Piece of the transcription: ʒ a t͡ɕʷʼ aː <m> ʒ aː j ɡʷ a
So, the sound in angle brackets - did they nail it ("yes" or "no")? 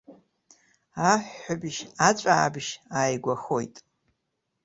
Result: no